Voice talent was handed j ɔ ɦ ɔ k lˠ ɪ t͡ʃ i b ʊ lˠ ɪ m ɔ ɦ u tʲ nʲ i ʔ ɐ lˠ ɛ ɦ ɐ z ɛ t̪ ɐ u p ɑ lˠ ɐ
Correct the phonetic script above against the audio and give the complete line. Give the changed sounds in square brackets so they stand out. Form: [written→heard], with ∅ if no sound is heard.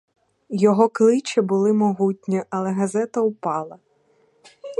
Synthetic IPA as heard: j ɔ ɦ ɔ k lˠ ɪ t͡ʃ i b ʊ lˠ ɪ m ɔ ɦ u tʲ nʲ i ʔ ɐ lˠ ɛ ɦ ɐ z ɛ t̪ ɐ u p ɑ lˠ ɐ